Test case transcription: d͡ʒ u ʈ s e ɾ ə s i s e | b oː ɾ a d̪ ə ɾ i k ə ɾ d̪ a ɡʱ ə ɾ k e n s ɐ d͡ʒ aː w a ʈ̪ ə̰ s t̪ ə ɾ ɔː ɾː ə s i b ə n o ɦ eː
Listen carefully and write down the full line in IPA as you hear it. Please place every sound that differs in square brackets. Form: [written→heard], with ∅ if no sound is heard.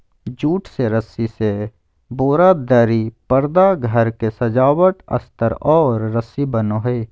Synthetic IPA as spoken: d͡ʒ [u→uː] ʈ s e ɾ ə s i s e | b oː ɾ a d̪ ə ɾ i [k→p] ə ɾ d̪ a ɡʱ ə ɾ k e [n→∅] s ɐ d͡ʒ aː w [a→ə] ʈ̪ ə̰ s t̪ ə ɾ ɔː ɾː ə s i b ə n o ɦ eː